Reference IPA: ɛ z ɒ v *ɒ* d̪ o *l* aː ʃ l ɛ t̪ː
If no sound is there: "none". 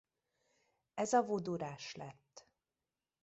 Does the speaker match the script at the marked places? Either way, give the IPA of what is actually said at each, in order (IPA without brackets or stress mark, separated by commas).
o, ɾ